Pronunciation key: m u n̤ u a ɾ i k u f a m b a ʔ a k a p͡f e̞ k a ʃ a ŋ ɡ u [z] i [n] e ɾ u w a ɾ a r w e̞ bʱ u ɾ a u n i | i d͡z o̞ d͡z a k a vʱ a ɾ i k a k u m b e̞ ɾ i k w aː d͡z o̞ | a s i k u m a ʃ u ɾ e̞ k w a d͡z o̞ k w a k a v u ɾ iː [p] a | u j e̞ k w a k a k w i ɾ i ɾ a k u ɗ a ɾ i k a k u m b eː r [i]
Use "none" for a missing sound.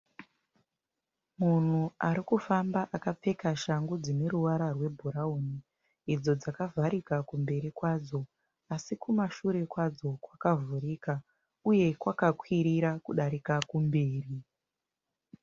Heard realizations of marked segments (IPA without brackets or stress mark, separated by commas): d͡z, n, k, i